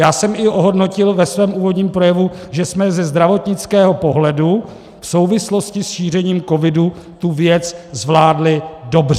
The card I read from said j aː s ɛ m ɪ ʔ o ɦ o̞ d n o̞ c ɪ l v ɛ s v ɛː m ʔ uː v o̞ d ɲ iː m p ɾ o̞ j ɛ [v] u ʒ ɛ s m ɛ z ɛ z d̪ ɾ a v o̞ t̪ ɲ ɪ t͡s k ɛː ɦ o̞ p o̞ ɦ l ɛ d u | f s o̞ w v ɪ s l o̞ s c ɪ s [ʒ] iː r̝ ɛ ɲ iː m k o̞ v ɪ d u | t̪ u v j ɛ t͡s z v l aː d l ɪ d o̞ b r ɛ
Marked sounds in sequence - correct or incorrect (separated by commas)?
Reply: correct, incorrect